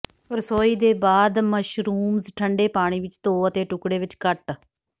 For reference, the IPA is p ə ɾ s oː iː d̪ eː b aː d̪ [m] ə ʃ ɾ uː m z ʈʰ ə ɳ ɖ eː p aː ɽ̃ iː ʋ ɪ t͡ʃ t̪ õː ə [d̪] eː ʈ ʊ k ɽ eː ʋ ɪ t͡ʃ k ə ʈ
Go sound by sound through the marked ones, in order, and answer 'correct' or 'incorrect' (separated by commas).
correct, incorrect